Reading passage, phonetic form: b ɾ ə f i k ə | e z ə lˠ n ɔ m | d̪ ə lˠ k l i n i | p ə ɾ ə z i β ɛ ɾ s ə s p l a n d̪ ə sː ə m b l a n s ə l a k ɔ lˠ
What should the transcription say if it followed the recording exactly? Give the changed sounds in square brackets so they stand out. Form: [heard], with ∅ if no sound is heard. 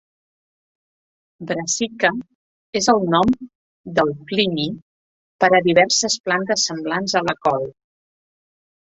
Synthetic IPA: b ɾ ə [s] i k ə | e z ə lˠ n ɔ m | d̪ ə lˠ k l i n i | p ə ɾ ə [ð] i β ɛ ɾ s ə s p l a n [t̪] ə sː ə m b l a n [z] ə l [ə] k ɔ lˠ